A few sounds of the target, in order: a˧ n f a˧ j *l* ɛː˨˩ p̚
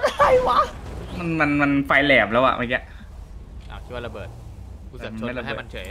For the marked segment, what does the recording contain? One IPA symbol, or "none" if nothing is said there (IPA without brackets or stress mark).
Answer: l